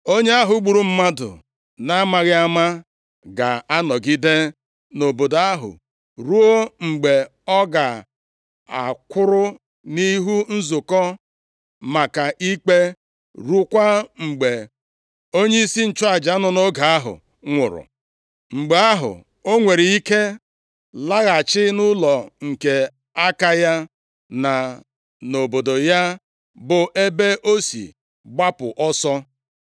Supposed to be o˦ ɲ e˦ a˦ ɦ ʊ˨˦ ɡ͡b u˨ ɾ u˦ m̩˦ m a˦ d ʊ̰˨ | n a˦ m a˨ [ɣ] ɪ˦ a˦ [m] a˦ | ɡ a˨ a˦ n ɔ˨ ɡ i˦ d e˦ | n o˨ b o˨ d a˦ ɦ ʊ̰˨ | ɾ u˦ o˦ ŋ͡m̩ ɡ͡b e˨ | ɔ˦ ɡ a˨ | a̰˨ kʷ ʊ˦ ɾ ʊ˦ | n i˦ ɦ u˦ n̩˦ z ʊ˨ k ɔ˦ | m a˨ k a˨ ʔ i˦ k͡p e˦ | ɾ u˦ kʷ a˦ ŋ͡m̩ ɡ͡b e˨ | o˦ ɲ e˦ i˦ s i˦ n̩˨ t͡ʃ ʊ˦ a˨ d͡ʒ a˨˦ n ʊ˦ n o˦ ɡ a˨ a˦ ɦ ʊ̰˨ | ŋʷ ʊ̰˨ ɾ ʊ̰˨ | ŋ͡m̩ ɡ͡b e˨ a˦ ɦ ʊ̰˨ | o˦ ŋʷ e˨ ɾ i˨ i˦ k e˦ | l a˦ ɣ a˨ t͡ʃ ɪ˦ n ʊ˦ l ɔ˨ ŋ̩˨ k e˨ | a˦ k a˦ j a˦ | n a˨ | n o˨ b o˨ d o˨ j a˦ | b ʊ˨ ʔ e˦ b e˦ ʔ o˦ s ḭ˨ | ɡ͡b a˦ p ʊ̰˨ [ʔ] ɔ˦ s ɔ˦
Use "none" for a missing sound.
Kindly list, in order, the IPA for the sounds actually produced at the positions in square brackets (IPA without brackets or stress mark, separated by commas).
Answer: ɣ, m, ʔ